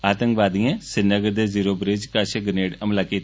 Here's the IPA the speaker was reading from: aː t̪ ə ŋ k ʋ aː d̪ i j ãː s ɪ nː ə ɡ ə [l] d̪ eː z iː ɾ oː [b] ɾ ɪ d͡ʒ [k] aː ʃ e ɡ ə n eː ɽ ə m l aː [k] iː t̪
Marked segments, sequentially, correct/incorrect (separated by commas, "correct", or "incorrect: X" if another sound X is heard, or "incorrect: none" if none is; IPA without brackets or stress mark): incorrect: ɾ, correct, correct, correct